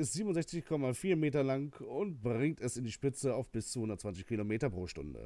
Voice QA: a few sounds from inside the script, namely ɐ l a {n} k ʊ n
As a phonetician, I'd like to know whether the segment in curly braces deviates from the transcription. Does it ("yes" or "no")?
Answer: yes